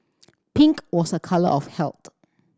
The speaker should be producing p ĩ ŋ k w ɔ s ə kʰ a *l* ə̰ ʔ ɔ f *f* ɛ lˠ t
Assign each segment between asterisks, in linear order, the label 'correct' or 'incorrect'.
correct, incorrect: h

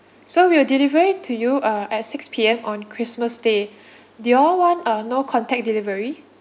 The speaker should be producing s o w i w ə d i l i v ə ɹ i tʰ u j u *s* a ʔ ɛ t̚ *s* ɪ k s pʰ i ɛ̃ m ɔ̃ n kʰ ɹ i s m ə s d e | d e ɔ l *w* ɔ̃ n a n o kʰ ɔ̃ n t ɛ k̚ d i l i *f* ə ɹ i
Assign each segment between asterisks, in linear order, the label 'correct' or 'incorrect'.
incorrect: none, correct, correct, incorrect: v

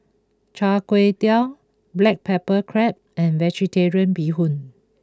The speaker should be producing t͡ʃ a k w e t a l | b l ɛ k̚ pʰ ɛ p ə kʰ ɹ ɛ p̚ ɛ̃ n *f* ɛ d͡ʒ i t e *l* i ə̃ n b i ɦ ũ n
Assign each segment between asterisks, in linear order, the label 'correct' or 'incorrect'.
incorrect: v, incorrect: ɹ

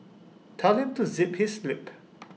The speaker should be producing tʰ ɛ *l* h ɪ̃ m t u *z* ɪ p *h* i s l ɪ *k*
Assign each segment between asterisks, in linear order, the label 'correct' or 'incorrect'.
correct, correct, correct, incorrect: p

